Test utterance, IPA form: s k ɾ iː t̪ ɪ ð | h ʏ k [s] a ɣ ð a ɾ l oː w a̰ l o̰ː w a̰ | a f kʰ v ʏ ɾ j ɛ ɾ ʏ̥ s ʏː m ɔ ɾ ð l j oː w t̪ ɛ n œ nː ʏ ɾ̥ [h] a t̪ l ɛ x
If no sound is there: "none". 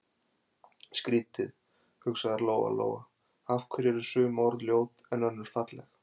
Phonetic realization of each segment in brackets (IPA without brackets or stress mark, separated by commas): s, f